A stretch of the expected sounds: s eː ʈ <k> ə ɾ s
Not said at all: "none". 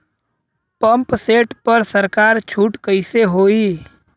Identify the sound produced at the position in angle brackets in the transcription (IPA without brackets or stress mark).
p